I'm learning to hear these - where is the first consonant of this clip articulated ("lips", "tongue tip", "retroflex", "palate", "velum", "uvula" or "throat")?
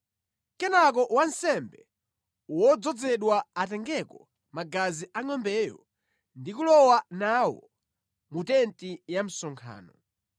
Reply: velum